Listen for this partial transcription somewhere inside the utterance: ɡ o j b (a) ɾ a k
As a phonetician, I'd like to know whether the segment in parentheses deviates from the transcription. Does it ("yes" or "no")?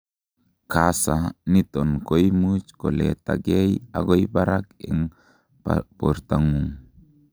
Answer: no